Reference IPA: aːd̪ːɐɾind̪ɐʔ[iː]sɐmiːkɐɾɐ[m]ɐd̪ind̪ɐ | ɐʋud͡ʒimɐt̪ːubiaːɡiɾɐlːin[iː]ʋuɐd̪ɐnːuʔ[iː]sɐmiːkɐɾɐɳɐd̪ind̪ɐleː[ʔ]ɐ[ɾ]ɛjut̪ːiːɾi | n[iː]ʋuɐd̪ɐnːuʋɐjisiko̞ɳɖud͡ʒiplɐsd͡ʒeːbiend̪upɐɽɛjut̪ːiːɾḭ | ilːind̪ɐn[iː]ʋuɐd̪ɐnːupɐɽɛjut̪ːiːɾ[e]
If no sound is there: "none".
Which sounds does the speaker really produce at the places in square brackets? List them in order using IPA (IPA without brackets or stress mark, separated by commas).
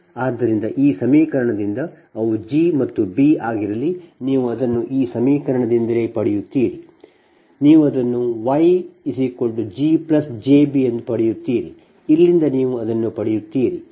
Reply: iː, ɳ, iː, iː, p, ɽ, iː, iː, i